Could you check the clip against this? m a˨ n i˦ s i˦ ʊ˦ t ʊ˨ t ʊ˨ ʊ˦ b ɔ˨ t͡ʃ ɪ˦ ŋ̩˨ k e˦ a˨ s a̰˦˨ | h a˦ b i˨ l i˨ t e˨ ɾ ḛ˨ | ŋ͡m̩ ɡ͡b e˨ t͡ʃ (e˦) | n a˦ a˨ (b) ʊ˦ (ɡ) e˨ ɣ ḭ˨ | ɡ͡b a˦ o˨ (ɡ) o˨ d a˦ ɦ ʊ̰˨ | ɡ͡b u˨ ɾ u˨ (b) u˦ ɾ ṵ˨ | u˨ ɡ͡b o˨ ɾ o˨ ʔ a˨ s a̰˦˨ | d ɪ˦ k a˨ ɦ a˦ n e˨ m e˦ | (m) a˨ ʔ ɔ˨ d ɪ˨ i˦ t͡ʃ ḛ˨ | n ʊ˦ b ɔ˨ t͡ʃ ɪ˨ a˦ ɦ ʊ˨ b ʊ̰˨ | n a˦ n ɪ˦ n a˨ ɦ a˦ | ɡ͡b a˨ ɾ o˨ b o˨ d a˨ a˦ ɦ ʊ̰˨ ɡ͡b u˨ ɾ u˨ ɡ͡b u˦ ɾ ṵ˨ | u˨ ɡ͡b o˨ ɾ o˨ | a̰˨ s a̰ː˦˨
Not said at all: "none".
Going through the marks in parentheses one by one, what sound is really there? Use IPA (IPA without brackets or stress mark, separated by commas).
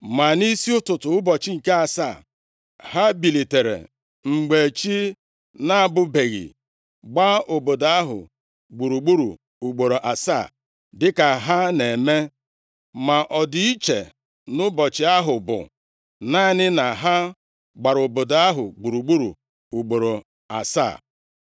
i˦, b, b, b, ɡ͡b, m